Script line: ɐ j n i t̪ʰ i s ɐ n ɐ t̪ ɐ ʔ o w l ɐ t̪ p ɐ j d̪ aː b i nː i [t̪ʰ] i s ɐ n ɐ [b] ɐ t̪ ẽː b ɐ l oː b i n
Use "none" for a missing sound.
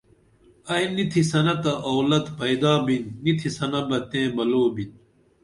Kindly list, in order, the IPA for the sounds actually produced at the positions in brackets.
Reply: t̪ʰ, b

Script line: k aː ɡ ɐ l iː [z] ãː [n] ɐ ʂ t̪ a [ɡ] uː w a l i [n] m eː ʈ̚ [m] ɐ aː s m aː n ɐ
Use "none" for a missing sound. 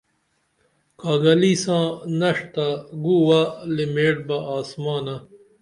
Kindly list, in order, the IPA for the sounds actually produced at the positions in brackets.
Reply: s, n, ɡ, none, b

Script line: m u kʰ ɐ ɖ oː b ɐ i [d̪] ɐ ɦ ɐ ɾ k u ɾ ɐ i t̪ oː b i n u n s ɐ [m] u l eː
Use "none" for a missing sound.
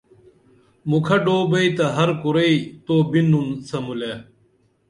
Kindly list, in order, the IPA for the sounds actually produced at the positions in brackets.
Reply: t̪, m

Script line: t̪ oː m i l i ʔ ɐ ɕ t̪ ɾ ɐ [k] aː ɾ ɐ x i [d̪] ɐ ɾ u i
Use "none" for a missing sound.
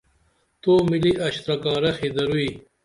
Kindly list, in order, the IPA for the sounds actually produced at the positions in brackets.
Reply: k, d̪

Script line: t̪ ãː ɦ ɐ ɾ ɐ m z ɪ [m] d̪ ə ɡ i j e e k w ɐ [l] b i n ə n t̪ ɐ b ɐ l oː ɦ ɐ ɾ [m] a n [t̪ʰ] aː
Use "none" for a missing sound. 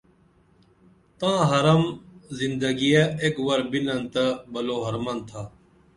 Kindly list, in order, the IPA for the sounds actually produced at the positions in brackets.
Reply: n, ɾ, m, t̪ʰ

